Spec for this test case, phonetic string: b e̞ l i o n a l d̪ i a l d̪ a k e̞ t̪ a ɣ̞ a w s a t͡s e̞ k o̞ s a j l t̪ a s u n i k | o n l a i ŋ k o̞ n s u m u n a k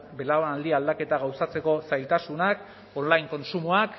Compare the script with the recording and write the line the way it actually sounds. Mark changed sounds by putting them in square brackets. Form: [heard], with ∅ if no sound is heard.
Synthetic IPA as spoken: b e̞ l [a] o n a l d̪ i a l d̪ a k e̞ t̪ a ɣ̞ a w s a t͡s e̞ k o̞ s a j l t̪ a s u n [a] k | o n l a [j] ŋ k o̞ n s u m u [∅] a k